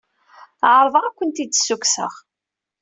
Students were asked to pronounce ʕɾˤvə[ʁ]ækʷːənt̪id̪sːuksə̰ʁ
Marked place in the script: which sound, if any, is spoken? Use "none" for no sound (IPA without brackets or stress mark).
ʁ